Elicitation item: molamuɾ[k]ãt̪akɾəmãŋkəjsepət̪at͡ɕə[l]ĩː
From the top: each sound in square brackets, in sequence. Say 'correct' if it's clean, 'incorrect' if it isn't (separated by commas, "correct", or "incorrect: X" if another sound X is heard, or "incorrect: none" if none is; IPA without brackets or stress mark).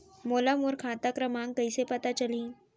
incorrect: kʰ, correct